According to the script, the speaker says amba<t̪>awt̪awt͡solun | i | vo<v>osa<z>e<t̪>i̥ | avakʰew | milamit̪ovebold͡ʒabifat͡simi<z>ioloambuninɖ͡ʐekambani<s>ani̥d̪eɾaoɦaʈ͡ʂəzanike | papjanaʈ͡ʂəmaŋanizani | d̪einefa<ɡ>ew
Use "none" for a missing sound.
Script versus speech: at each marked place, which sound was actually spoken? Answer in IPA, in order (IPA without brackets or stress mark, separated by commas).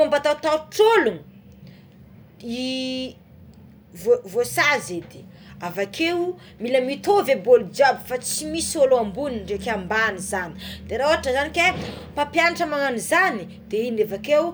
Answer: t̪, v, z, d̪, s, z, k